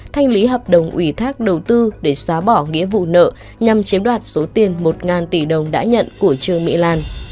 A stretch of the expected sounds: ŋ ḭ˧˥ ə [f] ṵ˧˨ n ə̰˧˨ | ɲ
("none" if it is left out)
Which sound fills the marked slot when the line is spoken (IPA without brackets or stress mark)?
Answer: v